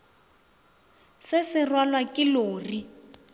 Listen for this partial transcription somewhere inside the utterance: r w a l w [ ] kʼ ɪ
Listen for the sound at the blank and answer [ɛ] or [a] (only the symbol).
a